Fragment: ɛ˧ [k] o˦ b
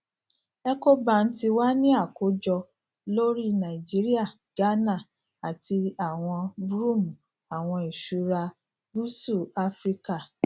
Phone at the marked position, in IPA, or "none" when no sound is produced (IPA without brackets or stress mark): k